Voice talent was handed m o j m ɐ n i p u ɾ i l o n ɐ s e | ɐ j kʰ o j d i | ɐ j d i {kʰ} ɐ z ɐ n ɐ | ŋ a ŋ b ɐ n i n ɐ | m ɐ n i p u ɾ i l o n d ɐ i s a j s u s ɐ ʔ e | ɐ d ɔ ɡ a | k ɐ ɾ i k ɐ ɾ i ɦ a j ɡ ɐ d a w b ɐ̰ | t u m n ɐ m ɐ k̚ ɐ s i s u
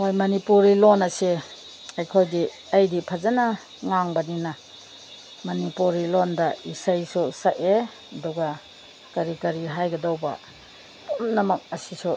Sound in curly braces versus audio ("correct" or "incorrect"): incorrect